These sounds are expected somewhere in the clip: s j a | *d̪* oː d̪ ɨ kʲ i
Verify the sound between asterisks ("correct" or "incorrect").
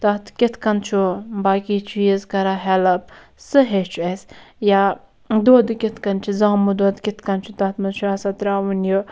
correct